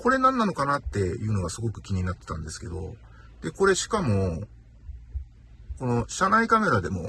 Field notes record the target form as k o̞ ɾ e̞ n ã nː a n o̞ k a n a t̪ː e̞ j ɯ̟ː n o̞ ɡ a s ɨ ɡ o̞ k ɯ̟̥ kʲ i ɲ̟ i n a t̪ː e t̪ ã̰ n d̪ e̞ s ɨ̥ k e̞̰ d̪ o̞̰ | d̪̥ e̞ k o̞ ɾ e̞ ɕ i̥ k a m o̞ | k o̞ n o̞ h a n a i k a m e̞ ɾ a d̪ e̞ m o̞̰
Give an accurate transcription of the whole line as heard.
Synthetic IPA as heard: k o̞ ɾ e̞ n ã nː a n o̞ k a n a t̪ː e̞ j ɯ̟ː n o̞ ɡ a s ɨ ɡ o̞ k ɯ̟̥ kʲ i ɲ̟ i n a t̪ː e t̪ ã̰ n d̪ e̞ s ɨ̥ k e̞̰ d̪ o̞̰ | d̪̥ e̞ k o̞ ɾ e̞ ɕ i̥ k a m o̞ | k o̞ n o̞ ɕ a n a i k a m e̞ ɾ a d̪ e̞ m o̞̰